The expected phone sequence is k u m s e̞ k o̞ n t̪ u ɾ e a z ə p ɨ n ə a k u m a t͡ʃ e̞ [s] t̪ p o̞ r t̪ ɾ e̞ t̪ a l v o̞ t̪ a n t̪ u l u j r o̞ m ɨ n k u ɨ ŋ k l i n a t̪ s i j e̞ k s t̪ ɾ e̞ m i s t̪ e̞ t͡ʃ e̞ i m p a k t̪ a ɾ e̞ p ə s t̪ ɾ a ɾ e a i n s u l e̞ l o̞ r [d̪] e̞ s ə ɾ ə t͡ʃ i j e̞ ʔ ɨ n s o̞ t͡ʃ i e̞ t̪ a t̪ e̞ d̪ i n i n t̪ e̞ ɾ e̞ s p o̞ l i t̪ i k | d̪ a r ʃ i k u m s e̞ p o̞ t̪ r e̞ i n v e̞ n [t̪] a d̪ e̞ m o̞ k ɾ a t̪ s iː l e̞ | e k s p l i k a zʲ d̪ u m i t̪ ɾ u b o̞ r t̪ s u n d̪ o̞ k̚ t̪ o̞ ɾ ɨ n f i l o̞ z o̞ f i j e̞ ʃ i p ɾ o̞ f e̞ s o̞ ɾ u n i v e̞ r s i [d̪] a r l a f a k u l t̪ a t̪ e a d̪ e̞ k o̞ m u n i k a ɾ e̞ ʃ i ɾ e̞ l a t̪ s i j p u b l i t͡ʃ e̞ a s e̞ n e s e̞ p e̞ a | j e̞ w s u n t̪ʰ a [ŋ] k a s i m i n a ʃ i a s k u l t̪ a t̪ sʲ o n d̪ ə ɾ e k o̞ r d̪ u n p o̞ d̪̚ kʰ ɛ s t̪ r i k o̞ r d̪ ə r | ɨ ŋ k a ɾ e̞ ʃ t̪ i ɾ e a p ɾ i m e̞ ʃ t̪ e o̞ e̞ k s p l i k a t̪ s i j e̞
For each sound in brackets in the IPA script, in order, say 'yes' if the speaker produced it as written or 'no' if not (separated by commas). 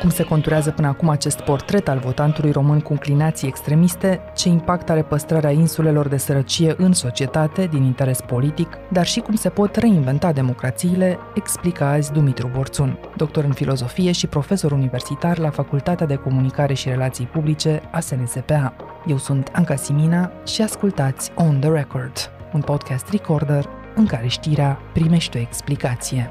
yes, yes, yes, no, yes